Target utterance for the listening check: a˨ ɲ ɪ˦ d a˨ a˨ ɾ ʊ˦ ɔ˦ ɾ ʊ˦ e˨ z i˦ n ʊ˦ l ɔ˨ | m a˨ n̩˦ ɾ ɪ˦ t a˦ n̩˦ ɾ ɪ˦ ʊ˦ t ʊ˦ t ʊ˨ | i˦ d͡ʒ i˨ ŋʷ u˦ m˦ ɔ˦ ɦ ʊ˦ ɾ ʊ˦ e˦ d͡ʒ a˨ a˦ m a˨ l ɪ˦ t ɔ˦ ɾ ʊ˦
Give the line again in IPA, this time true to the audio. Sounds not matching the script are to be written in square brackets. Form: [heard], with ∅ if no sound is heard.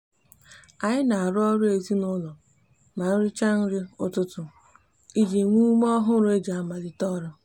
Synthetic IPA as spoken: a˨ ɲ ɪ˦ [n] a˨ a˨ ɾ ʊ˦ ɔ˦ ɾ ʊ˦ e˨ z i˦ n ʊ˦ l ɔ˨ | m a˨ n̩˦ ɾ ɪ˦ [t͡ʃ] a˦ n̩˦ ɾ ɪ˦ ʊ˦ t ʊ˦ t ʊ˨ | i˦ d͡ʒ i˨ ŋʷ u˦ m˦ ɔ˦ ɦ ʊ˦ ɾ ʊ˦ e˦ d͡ʒ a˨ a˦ m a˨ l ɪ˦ t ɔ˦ ɾ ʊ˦